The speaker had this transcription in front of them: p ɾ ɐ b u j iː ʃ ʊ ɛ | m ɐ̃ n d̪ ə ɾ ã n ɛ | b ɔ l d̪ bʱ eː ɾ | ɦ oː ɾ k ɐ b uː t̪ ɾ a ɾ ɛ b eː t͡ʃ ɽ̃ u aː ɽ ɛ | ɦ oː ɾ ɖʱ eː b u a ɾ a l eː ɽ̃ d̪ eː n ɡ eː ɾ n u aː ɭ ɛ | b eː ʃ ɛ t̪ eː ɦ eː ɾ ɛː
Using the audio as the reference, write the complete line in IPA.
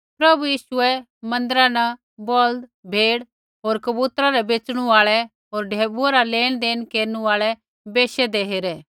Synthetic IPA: p ɾ ɐ b u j iː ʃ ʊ ɛ | m ɐ̃ n d̪ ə ɾ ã n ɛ | b ɔ l d̪ bʱ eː ɽ | ɦ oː ɾ k ɐ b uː t̪ ɾ a ɾ ɛ b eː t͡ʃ ɽ̃ u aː ɭ ɛ | ɦ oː ɾ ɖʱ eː b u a ɾ a l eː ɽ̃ d̪ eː n k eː ɾ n u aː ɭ ɛ | b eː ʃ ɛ d̪ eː ɦ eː ɾ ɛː